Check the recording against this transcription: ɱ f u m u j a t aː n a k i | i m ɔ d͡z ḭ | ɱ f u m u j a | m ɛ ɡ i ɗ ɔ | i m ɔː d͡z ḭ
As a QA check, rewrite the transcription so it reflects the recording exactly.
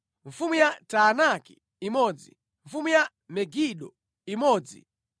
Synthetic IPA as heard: ɱ f u m u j a t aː n a k i | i m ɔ d͡z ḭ | ɱ f u m u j a | m ɛ ɡ i ɗ ɔ | i m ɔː d͡z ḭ